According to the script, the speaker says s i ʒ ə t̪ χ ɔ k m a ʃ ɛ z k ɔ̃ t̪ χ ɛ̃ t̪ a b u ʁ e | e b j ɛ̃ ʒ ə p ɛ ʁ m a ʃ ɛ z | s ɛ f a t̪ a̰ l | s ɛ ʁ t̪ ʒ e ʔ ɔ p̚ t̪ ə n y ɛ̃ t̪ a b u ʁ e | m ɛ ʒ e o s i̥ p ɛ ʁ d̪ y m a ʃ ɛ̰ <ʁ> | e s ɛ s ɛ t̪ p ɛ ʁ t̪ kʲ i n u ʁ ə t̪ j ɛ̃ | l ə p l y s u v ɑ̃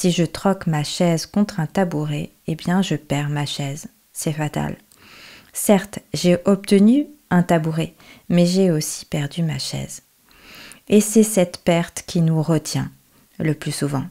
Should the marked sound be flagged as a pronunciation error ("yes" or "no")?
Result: yes